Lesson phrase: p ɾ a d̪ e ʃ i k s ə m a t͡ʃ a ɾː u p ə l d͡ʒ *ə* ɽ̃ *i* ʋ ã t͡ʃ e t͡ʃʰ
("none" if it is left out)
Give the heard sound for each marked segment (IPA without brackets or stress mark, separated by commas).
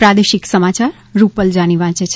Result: a, i